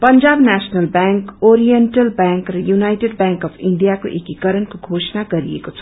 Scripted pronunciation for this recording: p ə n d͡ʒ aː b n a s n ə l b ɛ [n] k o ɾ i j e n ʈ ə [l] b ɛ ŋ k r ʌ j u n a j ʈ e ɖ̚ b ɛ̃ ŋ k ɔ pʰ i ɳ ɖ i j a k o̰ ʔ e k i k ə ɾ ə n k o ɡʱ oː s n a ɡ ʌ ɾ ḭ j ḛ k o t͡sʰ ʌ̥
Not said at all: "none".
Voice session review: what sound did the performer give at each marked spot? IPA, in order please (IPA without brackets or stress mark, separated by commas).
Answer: ŋ, l